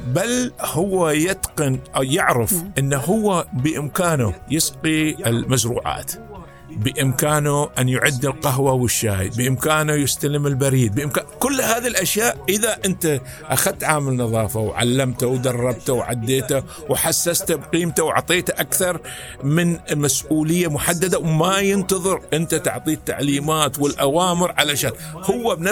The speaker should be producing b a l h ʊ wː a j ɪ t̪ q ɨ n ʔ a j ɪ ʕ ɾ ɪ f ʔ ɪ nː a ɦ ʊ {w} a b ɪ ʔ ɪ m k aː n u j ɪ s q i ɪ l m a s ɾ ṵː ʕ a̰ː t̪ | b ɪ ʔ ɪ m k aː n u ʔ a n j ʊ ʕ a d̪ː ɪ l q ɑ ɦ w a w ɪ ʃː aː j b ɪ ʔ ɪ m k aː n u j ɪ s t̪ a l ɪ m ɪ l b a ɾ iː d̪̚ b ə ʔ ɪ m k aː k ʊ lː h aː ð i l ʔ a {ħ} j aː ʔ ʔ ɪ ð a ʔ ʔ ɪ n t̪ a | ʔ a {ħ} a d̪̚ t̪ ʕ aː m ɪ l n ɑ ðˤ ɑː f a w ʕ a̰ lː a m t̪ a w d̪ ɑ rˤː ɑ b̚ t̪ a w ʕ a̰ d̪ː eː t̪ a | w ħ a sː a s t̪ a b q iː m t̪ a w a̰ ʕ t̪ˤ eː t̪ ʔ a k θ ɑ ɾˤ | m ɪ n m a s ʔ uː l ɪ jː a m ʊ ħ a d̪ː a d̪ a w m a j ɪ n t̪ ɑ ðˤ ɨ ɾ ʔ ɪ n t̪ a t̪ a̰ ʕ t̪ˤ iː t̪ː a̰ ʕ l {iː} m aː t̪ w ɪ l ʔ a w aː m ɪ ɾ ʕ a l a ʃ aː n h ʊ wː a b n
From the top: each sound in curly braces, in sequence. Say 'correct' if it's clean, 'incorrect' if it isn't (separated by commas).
incorrect, incorrect, incorrect, correct